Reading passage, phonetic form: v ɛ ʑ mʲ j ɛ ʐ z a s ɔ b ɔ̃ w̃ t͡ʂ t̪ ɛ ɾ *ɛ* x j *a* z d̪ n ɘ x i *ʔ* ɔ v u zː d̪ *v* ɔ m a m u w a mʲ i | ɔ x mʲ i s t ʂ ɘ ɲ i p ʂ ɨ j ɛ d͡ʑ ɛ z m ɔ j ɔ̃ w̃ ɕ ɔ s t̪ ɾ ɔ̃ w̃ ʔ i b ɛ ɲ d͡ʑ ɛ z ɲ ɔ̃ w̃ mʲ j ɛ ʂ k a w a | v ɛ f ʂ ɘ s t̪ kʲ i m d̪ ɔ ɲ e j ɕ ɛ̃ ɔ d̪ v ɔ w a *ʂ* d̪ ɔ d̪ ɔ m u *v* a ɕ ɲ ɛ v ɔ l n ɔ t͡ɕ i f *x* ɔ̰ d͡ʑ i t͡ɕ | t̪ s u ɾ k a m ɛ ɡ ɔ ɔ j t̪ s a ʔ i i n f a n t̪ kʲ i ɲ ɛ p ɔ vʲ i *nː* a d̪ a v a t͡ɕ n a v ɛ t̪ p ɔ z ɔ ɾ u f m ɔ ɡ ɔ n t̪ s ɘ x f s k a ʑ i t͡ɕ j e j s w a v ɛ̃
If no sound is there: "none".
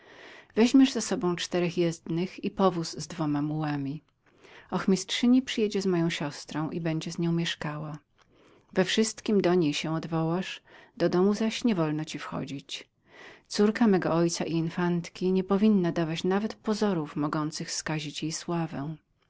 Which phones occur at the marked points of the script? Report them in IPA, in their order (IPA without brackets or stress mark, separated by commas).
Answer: ɛ, ɛ, p, v, ʂ, z, x, nː